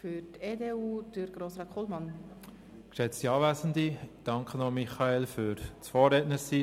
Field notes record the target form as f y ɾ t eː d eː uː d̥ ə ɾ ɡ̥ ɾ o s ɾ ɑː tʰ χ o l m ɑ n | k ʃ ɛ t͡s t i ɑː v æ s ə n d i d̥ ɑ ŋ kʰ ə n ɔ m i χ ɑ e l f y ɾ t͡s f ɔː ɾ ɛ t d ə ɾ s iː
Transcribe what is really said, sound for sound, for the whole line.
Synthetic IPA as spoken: f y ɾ t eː d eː uː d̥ ə ɾ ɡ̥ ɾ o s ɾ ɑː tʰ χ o l m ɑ n | k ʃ ɛ t͡s t i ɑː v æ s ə n d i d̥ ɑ ŋ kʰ ə n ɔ m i χ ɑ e l f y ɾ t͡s f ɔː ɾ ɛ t n ə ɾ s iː

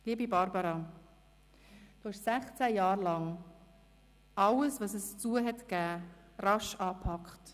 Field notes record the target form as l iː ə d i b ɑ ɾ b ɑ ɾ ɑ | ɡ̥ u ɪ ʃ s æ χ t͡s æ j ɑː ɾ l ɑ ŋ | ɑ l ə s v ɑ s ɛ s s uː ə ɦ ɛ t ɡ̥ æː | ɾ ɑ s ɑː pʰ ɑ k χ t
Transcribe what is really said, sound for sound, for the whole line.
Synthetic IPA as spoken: l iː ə b i b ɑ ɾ b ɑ ɾ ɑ | d̥ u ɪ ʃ s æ χ t͡s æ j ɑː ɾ l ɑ ŋ | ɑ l ə s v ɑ s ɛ s t͡s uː ə ɦ ɛ t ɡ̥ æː | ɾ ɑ ʃ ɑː pʰ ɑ k χ t

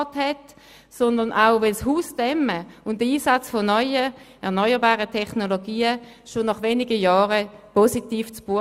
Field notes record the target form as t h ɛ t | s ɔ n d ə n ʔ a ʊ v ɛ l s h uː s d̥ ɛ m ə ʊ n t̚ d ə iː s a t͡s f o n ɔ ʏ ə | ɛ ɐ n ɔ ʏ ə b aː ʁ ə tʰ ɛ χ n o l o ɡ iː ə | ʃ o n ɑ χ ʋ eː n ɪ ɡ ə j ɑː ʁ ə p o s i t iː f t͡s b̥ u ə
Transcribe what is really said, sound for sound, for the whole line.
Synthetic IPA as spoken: t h ɛ t | s ɔ n d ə n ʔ a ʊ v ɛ l s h uː s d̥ ɛ m ə ʊ n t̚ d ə iː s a t͡s f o n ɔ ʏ ə | ɛ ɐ n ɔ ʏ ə b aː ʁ ə tʰ ɛ χ n o l o ɡ iː ə | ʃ o n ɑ χ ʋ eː n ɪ ɡ ə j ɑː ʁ ə p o s i t iː f t͡s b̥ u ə

